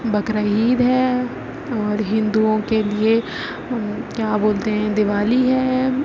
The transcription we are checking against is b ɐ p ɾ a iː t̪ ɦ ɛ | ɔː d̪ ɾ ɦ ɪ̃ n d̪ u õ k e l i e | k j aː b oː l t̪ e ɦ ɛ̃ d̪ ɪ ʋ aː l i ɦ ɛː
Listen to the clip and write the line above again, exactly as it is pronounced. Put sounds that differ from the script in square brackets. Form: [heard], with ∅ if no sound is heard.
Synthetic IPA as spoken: b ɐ [k] ɾ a iː [d̪] ɦ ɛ | ɔː [∅] ɾ ɦ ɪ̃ n d̪ u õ k e l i e | k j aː b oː l t̪ e ɦ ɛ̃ d̪ ɪ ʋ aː l i ɦ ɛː